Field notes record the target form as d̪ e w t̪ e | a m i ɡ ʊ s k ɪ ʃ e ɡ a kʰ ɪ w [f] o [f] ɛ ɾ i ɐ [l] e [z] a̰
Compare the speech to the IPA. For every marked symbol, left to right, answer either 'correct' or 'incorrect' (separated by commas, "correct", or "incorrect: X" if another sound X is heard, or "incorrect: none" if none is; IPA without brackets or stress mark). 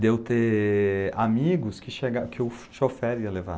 incorrect: ʃ, correct, correct, incorrect: v